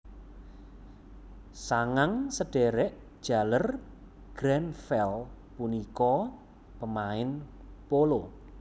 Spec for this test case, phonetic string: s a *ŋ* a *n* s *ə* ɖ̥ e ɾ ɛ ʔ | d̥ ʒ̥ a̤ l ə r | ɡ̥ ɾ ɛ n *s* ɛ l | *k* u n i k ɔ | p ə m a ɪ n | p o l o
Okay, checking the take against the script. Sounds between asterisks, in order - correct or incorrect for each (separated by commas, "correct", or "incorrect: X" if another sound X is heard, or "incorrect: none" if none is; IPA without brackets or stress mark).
correct, incorrect: ŋ, correct, incorrect: f, incorrect: p